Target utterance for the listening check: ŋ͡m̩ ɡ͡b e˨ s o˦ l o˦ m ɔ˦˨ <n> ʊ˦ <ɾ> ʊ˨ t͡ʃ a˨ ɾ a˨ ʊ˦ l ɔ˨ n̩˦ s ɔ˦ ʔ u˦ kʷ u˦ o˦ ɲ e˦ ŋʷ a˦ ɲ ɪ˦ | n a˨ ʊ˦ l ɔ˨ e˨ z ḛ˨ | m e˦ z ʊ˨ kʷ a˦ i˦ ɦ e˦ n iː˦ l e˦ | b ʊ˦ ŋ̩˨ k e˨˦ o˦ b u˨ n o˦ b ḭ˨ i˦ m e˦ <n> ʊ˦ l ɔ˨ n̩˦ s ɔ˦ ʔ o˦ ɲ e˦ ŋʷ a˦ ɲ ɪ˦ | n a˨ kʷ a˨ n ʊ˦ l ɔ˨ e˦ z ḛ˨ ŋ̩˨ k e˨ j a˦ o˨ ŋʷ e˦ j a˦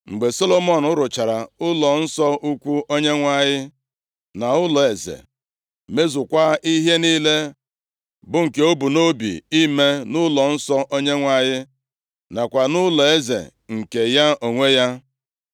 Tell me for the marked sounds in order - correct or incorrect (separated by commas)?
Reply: correct, correct, correct